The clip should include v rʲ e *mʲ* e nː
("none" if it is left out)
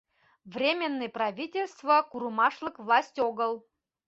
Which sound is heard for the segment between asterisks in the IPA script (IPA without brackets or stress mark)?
mʲ